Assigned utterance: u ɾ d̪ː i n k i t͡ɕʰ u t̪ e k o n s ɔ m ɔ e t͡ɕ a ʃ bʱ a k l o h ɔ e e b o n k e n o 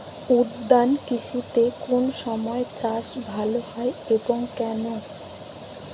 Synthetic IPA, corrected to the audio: u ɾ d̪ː a n k i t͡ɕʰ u t̪ e k o n ʃ ɔ m ɔ e t͡ɕ a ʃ bʱ a l o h ɔ e e b o ŋ k ɛ n o